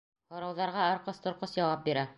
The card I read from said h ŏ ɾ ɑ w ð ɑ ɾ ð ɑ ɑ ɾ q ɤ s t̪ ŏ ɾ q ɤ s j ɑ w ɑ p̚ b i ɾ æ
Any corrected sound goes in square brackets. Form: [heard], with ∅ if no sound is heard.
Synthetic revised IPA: h ŏ ɾ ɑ w ð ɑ ɾ [ʁ] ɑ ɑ ɾ q ɤ s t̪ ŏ ɾ q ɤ s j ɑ w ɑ p̚ b i ɾ æ